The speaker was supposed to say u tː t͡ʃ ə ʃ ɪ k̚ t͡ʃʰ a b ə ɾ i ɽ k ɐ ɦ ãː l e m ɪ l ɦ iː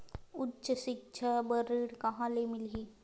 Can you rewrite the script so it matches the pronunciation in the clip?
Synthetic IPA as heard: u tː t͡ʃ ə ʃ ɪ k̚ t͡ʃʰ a b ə ɾ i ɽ k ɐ ɦ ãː l e m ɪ l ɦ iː